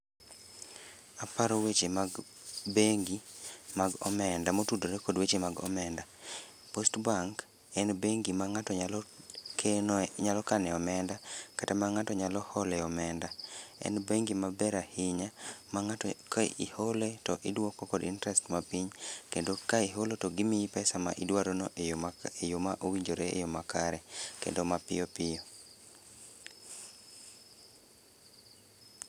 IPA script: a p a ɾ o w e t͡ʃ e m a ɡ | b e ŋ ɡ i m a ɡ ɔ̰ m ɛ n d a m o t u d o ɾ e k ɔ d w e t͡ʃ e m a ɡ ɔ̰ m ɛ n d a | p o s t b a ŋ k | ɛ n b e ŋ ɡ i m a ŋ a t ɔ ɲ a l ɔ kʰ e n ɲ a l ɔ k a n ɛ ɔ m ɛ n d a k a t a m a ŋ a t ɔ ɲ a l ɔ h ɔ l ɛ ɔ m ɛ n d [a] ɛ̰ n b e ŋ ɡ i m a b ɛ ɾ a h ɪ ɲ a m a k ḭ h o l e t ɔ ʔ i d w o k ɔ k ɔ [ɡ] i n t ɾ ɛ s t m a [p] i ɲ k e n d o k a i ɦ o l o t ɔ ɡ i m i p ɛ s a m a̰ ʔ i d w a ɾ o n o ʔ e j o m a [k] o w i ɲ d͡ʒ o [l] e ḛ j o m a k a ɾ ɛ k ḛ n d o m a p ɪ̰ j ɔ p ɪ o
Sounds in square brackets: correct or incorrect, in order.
correct, incorrect: d, correct, incorrect: ʔ, incorrect: ɾ

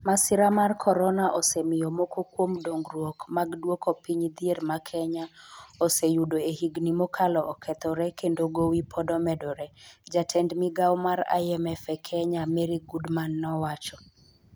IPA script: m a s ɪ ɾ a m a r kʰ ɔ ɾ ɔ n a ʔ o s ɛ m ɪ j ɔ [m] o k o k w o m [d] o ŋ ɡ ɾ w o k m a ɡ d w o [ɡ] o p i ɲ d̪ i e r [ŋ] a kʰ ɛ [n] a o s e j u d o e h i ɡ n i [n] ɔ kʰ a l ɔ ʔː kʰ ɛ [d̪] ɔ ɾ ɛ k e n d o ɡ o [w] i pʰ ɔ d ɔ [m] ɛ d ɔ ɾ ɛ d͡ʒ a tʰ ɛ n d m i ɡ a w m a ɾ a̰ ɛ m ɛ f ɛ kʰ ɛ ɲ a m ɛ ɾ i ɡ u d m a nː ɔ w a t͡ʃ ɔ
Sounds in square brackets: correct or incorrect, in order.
correct, correct, incorrect: k, incorrect: m, incorrect: ɲ, incorrect: m, incorrect: t̪, correct, correct

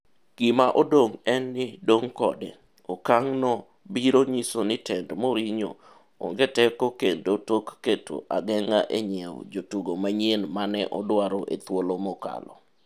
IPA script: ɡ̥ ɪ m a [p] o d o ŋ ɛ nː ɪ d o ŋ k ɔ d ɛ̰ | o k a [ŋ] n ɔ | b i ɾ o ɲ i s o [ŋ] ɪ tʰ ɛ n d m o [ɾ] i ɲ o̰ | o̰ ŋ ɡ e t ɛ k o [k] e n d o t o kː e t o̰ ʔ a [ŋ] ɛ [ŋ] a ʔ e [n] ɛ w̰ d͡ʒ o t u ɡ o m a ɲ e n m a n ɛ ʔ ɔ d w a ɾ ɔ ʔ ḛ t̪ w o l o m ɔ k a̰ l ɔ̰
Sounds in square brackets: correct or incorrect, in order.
incorrect: ʔ, correct, incorrect: n, correct, correct, incorrect: ɡ, correct, incorrect: ɲ

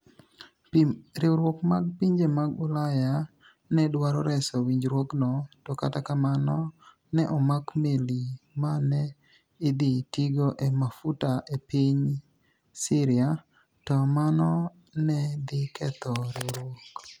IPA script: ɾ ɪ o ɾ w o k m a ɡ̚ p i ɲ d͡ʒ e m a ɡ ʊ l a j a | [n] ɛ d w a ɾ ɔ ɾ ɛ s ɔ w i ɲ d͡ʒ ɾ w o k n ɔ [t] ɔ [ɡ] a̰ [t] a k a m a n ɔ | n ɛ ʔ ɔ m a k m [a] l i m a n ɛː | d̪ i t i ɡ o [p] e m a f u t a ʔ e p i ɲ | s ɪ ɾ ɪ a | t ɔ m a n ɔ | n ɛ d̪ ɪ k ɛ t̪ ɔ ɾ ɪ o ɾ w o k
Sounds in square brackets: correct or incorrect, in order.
correct, correct, incorrect: k, correct, incorrect: e, incorrect: ʔ

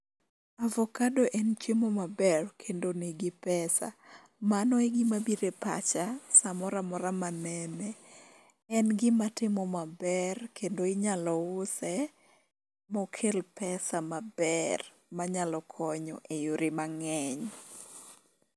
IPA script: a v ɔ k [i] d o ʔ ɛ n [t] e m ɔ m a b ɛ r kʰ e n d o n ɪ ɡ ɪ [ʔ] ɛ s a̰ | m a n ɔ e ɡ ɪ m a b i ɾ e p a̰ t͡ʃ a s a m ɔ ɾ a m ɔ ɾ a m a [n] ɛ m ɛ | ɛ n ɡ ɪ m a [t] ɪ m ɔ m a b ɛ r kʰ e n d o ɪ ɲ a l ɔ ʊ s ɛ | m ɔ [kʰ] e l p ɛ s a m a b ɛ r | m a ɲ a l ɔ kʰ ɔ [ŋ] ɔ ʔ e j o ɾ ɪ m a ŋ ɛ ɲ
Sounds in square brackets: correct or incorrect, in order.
incorrect: a, incorrect: t͡ʃ, incorrect: p, correct, correct, correct, incorrect: ɲ

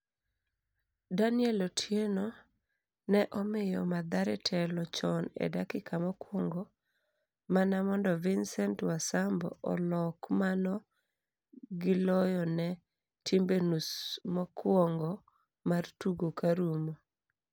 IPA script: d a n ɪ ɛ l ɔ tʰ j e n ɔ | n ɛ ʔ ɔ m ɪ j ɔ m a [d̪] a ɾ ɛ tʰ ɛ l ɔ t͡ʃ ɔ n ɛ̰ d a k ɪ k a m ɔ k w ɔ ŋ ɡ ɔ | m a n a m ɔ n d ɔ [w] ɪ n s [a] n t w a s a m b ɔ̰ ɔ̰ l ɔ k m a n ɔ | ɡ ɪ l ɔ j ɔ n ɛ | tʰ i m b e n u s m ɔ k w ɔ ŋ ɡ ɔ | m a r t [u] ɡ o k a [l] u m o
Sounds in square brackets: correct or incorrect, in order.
correct, incorrect: v, incorrect: ɛ, correct, incorrect: ɾ

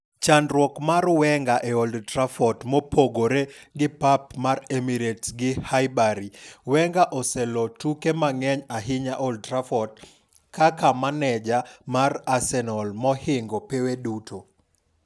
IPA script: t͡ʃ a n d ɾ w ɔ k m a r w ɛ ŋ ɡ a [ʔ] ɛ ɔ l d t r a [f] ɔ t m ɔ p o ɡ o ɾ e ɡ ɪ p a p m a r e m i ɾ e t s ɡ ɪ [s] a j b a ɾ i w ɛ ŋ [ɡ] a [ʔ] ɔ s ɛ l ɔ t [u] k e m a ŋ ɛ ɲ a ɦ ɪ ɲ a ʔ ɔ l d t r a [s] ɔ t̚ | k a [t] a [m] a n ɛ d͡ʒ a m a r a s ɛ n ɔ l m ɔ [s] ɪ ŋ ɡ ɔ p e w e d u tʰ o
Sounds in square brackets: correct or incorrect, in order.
correct, correct, incorrect: h, correct, correct, correct, incorrect: f, incorrect: k, correct, incorrect: h

